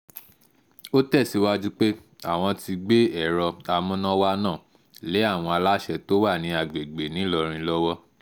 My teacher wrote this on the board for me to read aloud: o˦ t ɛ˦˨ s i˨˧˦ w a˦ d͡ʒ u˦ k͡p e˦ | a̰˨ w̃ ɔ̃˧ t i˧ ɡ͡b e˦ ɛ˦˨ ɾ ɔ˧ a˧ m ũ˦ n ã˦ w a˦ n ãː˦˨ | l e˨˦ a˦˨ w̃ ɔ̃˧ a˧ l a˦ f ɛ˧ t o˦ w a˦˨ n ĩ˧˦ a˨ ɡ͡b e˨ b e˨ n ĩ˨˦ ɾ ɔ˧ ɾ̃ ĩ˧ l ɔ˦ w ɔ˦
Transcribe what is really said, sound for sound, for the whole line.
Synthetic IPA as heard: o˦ t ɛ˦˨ s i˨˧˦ w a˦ d͡ʒ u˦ k͡p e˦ | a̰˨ w̃ ɔ̃˧ t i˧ ɡ͡b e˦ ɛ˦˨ ɾ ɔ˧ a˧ m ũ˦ n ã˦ w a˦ n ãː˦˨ | l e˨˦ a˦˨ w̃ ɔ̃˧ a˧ l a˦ ʃ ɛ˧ t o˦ w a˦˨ n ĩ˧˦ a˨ ɡ͡b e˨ ɡ͡b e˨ n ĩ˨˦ l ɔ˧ ɾ̃ ĩ˧ l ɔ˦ w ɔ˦